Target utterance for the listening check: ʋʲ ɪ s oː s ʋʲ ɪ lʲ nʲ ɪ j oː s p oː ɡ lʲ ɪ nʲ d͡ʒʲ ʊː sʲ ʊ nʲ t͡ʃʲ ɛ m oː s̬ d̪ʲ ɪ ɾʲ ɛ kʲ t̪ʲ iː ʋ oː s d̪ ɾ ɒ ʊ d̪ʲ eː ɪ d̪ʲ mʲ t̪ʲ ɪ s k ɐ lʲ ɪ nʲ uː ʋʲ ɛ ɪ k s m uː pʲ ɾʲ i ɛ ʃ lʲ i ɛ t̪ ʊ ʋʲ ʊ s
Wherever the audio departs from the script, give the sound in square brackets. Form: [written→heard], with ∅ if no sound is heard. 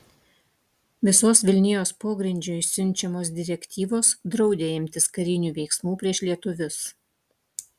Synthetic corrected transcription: ʋʲ ɪ s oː s ʋʲ ɪ lʲ nʲ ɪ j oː s p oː ɡ [lʲ→ɾʲ] ɪ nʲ d͡ʒʲ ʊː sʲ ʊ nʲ t͡ʃʲ ɛ m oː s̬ d̪ʲ ɪ ɾʲ ɛ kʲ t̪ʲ iː ʋ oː s d̪ ɾ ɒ ʊ d̪ʲ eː ɪ [d̪ʲ→∅] mʲ t̪ʲ ɪ s k ɐ [lʲ→ɾʲ] ɪ nʲ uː ʋʲ ɛ ɪ k s m uː pʲ ɾʲ i ɛ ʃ lʲ i ɛ t̪ ʊ ʋʲ ʊ s

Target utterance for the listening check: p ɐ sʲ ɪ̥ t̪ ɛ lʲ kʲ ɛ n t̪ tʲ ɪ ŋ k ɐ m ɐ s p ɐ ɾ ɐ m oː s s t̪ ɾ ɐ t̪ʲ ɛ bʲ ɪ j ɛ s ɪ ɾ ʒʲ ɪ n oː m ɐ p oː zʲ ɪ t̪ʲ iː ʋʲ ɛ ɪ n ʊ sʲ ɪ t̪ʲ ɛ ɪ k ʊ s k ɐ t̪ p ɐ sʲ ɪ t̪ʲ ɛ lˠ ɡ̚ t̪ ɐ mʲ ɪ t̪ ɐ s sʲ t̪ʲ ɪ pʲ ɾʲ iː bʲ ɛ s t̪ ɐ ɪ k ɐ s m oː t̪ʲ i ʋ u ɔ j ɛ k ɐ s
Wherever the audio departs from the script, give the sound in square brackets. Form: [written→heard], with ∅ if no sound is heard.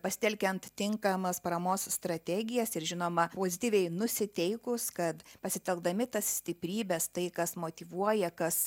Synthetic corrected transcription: p ɐ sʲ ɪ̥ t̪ ɛ lʲ kʲ ɛ n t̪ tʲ ɪ ŋ k ɐ m ɐ s p ɐ ɾ ɐ m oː s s t̪ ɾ ɐ t̪ʲ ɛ [bʲ→ɡʲ] ɪ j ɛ s ɪ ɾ ʒʲ ɪ n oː m ɐ p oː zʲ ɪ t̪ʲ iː ʋʲ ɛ ɪ n ʊ sʲ ɪ t̪ʲ ɛ ɪ k ʊ s k ɐ t̪ p ɐ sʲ ɪ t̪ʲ ɛ lˠ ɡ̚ [t̪→d̪] ɐ mʲ ɪ t̪ ɐ s sʲ t̪ʲ ɪ pʲ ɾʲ iː bʲ ɛ s t̪ ɐ ɪ k ɐ s m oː t̪ʲ i ʋ u ɔ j ɛ k ɐ s

